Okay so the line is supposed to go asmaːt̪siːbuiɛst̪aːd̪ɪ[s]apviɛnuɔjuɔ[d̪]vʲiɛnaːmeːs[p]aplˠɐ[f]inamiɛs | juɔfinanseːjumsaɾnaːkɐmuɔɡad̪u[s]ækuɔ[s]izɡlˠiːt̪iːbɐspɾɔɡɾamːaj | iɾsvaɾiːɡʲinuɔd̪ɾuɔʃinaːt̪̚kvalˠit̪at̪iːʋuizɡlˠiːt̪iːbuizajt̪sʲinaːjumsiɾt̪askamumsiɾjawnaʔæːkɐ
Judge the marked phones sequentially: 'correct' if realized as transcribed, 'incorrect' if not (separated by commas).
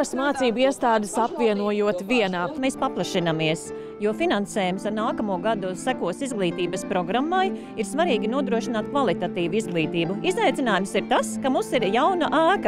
correct, incorrect, correct, incorrect, correct, correct